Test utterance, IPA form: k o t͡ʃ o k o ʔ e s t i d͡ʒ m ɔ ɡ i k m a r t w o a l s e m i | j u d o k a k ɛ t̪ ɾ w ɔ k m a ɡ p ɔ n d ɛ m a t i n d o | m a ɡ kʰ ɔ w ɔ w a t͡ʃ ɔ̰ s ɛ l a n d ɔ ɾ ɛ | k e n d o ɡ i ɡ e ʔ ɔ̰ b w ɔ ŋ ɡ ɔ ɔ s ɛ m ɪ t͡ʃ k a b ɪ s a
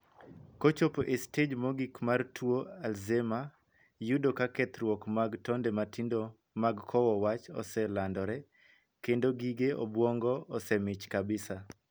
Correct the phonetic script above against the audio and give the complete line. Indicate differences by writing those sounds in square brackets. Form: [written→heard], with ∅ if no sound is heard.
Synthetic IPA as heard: k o t͡ʃ o [k→p] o ʔ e s t [i→e] d͡ʒ m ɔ ɡ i k m a r t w o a l [s→z] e m [i→a] | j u d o k a k ɛ t̪ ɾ w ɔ k m a ɡ [p→t] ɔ n d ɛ m a t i n d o | m a ɡ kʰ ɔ w ɔ w a t͡ʃ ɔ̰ s ɛ l a n d ɔ ɾ ɛ | k e n d o ɡ i ɡ e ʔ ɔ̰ b w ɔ ŋ ɡ ɔ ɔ s ɛ m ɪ t͡ʃ k a b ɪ s a